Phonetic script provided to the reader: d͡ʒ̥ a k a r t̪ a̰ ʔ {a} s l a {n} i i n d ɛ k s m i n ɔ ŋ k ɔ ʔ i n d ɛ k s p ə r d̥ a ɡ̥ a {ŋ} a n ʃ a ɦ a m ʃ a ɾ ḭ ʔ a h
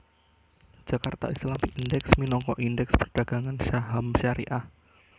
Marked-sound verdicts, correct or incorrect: incorrect, incorrect, correct

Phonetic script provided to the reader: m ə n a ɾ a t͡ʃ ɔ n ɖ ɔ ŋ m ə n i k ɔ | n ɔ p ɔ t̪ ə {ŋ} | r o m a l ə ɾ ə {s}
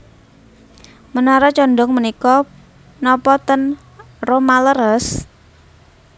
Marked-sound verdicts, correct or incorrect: incorrect, correct

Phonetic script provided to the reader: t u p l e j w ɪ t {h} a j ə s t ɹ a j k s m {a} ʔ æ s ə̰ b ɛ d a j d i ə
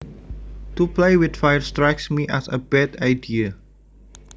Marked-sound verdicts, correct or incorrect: incorrect, incorrect

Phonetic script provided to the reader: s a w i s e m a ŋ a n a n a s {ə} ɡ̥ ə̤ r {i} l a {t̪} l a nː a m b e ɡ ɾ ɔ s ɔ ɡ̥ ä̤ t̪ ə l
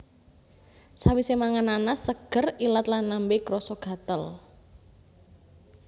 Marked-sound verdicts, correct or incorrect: correct, correct, correct

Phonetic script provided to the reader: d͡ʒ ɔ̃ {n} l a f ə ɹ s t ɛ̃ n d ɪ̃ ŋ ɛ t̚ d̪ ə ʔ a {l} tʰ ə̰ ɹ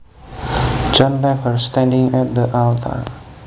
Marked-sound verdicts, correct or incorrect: correct, correct

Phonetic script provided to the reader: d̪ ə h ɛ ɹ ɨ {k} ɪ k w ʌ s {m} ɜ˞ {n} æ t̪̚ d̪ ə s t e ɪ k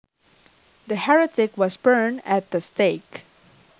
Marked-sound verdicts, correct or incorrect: incorrect, incorrect, correct

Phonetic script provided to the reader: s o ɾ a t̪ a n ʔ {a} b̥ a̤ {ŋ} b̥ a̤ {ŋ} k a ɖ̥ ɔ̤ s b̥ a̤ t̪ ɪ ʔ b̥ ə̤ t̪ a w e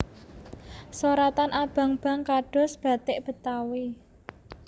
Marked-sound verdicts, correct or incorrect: correct, correct, correct

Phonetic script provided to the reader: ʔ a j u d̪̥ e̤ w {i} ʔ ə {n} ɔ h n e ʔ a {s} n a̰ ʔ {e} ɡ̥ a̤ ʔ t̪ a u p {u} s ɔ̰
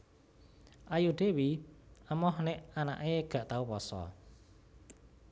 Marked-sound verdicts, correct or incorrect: correct, incorrect, incorrect, correct, incorrect

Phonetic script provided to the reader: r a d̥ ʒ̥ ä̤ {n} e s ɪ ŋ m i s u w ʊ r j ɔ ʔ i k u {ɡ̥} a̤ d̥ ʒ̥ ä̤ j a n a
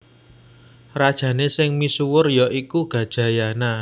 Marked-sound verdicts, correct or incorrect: correct, correct

